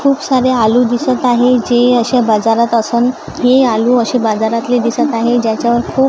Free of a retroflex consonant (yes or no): yes